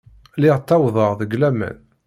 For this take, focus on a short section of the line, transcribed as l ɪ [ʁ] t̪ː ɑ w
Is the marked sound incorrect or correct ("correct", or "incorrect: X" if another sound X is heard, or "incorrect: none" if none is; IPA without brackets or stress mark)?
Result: correct